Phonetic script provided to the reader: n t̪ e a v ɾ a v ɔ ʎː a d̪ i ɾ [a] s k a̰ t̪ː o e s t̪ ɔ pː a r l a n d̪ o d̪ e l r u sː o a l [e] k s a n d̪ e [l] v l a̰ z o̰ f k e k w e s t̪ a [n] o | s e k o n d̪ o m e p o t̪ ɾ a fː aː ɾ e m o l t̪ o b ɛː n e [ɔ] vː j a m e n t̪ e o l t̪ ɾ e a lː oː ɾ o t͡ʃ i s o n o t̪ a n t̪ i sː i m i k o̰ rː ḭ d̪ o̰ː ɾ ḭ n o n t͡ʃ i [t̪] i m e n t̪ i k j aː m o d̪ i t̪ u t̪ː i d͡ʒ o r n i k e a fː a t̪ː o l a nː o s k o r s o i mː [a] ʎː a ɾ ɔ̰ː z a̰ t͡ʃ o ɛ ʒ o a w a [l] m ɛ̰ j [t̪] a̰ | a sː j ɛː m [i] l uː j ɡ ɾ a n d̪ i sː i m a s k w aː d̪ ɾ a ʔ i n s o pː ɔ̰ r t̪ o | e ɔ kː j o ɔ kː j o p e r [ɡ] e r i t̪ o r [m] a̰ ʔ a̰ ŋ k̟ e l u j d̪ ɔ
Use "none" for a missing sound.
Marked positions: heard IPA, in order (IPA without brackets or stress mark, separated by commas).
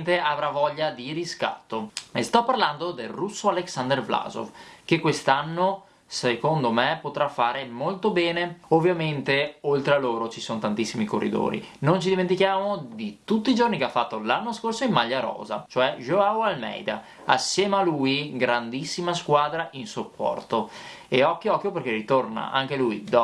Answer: i, e, r, nː, o, d̪, a, l, d̪, a, k, n